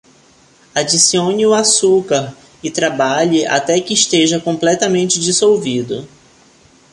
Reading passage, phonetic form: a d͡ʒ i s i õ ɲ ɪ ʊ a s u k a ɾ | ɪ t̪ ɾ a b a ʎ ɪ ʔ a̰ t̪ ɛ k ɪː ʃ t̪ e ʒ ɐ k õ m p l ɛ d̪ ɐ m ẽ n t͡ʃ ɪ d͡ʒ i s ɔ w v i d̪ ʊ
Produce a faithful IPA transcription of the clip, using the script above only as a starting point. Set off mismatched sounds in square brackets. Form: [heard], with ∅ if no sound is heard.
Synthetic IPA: a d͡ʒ i s i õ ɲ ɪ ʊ a s u k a ɾ | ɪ t̪ ɾ a b a ʎ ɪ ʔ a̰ t̪ ɛ k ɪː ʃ t̪ e ʒ ɐ k õ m p l ɛ [t̪] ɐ m ẽ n t͡ʃ ɪ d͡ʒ i s [o] w v i d̪ ʊ